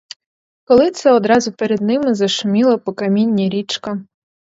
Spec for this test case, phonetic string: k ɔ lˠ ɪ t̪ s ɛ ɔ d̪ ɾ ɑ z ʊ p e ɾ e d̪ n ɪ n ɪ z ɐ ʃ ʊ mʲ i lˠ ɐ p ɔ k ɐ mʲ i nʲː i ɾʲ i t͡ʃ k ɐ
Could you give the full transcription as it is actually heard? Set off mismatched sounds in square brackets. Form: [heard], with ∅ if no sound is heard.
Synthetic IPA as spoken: k ɔ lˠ ɪ t̪ s ɛ ɔ d̪ ɾ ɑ z ʊ p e ɾ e d̪ n ɪ [m] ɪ z ɐ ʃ ʊ mʲ i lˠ ɐ p ɔ k ɐ mʲ i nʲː i ɾʲ i t͡ʃ k ɐ